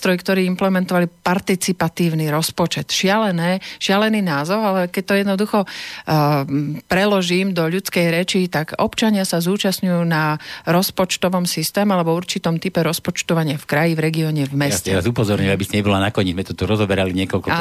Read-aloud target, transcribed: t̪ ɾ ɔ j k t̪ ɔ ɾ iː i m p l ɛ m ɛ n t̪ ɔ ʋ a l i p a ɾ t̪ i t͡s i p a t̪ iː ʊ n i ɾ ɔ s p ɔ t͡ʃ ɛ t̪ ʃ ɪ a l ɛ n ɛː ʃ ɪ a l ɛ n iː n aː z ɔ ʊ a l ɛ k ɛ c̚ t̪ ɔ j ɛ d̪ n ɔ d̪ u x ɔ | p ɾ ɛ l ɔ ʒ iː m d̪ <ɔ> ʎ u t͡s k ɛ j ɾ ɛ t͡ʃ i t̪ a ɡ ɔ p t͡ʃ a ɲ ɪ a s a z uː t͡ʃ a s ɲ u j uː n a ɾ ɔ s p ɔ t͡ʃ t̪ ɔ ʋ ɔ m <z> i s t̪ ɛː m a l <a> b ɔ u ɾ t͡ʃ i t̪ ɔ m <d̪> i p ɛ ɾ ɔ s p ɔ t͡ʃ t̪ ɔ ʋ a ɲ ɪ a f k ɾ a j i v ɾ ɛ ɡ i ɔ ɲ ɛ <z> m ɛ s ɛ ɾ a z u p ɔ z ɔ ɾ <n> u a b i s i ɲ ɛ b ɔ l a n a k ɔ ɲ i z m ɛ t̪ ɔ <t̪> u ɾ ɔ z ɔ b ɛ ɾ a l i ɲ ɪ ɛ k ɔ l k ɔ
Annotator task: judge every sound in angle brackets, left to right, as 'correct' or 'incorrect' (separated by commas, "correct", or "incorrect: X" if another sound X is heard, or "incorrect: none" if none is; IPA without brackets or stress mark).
correct, incorrect: s, incorrect: ɛ, incorrect: t̪, incorrect: v, incorrect: ɲ, correct